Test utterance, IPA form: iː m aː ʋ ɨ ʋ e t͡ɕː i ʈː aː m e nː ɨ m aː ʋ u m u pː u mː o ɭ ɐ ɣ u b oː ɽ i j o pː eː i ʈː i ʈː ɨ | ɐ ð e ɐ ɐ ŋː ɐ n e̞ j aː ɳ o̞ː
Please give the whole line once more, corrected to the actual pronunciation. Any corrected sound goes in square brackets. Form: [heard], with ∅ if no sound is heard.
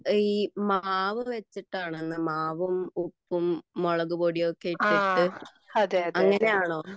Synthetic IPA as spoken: iː m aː ʋ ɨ ʋ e t͡ɕː i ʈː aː [ɳ] e nː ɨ m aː ʋ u m u pː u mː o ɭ ɐ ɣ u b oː ɽ i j o [kː] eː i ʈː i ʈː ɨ | ɐ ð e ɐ ɐ ŋː ɐ n e̞ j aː ɳ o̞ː